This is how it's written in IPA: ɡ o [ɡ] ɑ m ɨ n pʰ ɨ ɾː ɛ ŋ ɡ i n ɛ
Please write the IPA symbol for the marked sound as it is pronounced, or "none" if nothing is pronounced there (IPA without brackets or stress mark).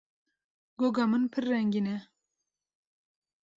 ɡ